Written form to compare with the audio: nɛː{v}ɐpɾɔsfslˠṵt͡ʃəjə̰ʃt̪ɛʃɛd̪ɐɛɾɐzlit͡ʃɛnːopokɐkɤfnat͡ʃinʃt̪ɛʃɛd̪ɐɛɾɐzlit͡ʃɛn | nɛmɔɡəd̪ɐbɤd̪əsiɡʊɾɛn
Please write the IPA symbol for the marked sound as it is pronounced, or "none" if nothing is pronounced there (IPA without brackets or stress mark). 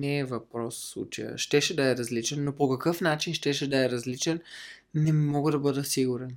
v